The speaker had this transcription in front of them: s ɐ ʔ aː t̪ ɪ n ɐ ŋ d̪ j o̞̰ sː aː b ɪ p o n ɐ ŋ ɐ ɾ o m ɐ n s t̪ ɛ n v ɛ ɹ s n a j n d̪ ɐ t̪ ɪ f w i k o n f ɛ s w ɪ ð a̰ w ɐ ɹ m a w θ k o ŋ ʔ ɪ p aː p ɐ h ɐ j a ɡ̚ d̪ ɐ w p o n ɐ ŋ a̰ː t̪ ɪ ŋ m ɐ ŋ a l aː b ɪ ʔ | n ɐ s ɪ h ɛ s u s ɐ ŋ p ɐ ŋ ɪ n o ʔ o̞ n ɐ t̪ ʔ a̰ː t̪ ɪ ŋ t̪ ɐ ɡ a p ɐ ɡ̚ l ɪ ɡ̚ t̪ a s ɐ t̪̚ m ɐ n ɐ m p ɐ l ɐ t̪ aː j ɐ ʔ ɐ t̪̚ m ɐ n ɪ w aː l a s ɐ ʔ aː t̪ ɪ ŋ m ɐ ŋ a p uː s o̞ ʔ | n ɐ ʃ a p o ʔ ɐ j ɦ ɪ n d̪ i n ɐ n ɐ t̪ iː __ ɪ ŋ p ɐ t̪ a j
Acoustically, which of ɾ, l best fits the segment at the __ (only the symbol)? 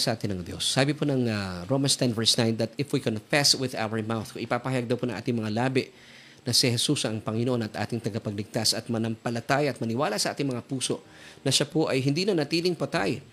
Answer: l